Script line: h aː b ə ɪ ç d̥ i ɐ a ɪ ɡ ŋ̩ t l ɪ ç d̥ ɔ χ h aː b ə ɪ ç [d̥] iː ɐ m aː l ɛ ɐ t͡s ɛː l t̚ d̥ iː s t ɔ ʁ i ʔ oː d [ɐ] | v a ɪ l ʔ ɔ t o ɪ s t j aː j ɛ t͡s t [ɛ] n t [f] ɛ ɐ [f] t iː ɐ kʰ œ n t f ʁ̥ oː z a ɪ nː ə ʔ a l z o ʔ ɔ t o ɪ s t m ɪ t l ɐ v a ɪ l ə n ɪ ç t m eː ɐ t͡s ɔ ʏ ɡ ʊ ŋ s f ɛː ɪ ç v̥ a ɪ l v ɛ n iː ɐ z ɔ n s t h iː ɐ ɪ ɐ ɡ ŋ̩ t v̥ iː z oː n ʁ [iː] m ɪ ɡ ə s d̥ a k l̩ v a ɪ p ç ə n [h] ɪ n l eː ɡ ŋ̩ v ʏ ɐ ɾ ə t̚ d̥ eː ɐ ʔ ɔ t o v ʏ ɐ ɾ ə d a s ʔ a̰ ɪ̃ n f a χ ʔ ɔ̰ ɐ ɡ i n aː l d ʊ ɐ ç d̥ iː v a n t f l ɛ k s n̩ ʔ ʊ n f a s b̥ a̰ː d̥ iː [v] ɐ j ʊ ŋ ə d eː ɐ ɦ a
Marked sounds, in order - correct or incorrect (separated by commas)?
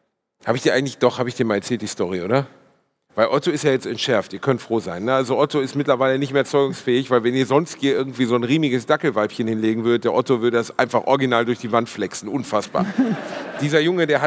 correct, correct, correct, incorrect, correct, correct, correct, incorrect